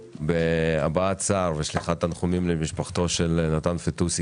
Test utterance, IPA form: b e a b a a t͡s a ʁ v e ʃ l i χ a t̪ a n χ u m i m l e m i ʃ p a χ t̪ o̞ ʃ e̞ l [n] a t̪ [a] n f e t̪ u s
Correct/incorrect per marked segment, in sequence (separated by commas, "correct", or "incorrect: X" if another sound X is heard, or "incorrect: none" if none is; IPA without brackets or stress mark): correct, correct